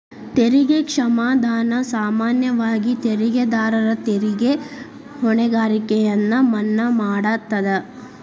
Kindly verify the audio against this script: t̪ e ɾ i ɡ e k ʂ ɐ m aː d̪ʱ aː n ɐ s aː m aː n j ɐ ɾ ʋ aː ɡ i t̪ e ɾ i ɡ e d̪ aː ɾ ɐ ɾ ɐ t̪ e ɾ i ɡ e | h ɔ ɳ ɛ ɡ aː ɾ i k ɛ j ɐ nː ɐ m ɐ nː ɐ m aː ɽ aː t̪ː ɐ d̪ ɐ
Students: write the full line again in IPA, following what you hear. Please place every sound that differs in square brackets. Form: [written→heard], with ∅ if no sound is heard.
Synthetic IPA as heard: t̪ e ɾ i ɡ e k ʂ ɐ m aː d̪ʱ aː n ɐ s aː m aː n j ɐ [ɾ→∅] ʋ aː ɡ i t̪ e ɾ i ɡ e d̪ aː ɾ ɐ ɾ ɐ t̪ e ɾ i ɡ e | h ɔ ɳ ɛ ɡ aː ɾ i k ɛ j ɐ nː ɐ m ɐ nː ɐ m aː ɽ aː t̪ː ɐ d̪ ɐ